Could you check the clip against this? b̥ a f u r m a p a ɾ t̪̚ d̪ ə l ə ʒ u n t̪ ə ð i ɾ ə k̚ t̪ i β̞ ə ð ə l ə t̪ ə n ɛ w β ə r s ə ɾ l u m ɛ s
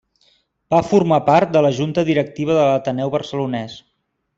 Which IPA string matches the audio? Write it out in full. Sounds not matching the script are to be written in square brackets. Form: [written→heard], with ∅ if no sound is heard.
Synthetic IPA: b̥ a f u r m a p a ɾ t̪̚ d̪ ə l ə ʒ u n t̪ ə ð i ɾ ə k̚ t̪ i β̞ ə ð ə l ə t̪ ə n ɛ w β ə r s ə [ɾ→∅] l u [m→n] ɛ s